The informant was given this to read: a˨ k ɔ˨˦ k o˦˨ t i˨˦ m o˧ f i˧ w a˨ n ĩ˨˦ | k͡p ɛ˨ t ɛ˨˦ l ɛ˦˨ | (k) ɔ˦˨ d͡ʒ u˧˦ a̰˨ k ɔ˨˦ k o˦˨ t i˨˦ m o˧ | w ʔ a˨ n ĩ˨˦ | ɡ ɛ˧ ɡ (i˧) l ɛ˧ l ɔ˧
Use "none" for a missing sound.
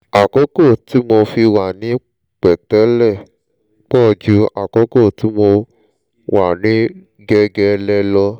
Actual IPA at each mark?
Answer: k͡p, ɛ˧

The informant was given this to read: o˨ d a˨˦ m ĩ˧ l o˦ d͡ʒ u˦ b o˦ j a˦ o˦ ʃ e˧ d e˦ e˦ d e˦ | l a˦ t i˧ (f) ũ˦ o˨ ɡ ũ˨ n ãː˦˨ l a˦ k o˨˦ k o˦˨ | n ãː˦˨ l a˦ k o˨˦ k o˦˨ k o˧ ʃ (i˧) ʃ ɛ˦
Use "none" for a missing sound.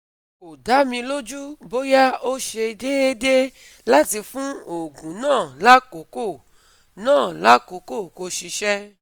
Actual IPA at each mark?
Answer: f, i˧

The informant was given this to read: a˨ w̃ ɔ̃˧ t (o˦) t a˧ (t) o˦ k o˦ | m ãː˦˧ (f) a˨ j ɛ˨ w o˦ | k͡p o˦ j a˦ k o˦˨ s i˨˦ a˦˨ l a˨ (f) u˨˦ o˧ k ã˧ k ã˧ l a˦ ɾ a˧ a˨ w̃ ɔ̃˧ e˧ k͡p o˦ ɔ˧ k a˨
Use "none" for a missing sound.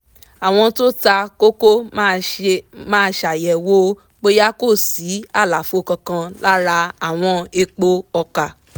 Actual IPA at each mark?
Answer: o˦, k, ʃ, f

